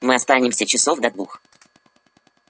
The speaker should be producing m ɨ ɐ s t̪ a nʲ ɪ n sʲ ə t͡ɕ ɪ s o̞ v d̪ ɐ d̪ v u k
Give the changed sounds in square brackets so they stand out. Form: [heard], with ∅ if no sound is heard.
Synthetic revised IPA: m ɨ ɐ s t̪ a nʲ ɪ [m] sʲ ə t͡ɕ ɪ s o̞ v d̪ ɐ d̪ v u [x]